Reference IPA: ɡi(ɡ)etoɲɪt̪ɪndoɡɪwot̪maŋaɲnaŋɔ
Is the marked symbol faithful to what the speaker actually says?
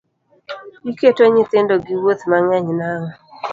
no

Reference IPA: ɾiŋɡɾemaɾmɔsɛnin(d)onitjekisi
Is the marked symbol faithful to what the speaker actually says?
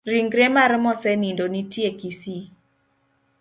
yes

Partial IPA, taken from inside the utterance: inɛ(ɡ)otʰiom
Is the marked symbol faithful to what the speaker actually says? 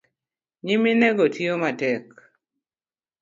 yes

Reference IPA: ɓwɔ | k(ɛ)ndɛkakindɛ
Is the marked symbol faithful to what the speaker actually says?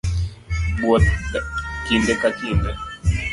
no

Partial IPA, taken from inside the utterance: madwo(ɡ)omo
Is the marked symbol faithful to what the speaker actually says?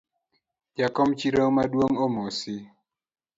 no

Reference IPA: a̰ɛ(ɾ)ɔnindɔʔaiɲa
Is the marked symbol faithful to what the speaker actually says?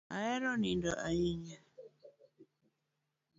yes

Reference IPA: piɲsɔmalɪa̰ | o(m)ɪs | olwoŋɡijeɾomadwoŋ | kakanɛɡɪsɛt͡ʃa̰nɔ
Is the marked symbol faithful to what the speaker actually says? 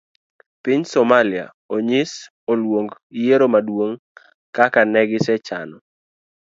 no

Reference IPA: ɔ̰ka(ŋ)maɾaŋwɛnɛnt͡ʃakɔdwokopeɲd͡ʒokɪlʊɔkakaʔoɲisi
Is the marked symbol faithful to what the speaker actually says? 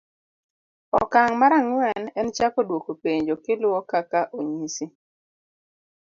yes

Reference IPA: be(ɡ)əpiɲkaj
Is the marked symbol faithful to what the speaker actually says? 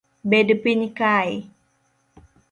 no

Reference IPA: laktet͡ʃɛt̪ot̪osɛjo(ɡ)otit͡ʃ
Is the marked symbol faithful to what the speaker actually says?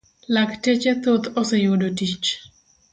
no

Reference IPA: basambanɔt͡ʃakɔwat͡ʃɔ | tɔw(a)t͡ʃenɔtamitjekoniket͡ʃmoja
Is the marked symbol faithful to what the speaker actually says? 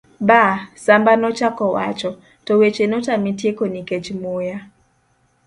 no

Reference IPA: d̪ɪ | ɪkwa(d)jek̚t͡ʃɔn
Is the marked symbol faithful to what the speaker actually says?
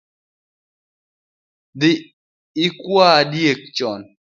yes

